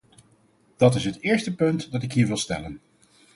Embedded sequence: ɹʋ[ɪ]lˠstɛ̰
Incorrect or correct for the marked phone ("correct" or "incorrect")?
correct